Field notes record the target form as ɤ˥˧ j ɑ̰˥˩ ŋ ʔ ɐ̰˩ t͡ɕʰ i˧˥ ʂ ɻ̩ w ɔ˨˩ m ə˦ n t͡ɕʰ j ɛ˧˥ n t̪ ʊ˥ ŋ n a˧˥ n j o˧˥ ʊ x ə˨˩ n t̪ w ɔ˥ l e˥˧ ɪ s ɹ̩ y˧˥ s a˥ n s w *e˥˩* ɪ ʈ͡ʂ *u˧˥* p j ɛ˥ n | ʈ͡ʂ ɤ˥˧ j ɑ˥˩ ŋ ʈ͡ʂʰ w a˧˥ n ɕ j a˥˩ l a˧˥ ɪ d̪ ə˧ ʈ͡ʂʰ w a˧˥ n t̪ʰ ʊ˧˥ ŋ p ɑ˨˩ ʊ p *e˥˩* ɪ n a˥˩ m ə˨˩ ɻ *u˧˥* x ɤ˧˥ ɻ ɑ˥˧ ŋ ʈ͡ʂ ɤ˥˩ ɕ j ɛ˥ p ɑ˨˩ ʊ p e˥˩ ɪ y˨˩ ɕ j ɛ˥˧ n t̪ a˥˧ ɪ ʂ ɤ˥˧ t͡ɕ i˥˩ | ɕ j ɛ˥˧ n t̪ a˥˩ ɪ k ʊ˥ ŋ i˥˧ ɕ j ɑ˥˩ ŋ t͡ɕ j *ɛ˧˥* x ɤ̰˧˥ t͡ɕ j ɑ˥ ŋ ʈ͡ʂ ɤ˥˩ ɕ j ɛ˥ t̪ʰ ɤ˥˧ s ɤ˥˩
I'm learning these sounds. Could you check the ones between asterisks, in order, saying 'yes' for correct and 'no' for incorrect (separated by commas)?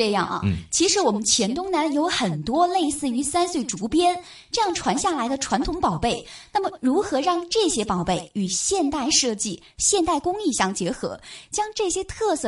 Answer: yes, yes, yes, yes, yes